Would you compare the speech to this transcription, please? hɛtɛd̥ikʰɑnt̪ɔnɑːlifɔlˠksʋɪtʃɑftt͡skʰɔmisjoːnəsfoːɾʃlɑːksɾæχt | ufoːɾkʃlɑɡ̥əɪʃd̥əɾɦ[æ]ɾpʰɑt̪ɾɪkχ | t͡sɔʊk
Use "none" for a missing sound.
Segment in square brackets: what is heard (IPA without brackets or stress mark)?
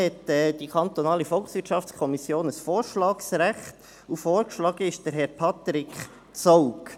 ɛ